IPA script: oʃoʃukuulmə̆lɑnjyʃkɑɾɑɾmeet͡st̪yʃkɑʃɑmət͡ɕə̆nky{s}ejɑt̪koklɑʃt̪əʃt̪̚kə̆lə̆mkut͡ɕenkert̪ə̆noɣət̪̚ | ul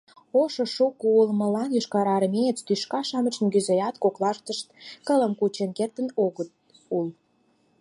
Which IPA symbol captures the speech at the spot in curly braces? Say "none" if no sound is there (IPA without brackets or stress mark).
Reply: z